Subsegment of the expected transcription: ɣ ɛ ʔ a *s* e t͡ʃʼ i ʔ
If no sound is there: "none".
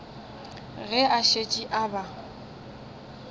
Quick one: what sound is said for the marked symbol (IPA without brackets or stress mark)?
ʃ